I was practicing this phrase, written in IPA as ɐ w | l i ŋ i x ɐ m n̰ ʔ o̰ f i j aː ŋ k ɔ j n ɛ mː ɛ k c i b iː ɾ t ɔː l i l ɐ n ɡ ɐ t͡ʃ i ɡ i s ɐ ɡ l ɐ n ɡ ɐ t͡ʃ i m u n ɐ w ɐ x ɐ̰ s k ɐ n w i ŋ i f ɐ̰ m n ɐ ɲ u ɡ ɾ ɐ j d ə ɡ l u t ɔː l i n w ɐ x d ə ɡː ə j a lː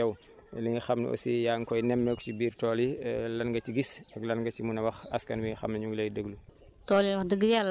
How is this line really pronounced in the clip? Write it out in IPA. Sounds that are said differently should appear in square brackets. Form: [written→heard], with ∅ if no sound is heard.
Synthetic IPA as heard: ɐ w | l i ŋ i x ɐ m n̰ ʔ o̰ [f→s] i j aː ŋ k ɔ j n ɛ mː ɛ k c i b iː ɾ t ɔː l i l ɐ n ɡ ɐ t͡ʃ i ɡ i s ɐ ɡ l ɐ n ɡ ɐ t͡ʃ i m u n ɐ w ɐ x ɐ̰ s k ɐ n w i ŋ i [f→x] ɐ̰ m n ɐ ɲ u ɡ [ɾ→l] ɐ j d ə ɡ l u t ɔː l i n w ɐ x d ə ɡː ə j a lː